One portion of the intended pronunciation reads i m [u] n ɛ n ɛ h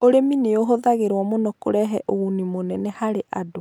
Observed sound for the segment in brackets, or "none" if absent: o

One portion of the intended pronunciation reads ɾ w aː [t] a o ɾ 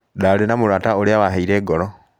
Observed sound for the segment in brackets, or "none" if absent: t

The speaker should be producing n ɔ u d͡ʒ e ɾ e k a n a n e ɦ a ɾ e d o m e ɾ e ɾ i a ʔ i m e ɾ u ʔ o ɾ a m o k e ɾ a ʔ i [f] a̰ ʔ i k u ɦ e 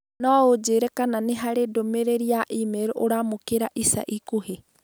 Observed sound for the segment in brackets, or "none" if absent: s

